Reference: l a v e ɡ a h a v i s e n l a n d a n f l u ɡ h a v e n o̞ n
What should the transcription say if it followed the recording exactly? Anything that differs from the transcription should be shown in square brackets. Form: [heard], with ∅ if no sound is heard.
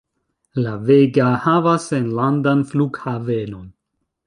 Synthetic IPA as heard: l a v e ɡ a h a v [a] s e n l a n d a n f l u ɡ h a v e n o̞ n